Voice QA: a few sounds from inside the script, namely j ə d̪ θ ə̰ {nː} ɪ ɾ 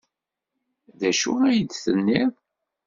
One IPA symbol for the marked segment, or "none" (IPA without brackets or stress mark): nː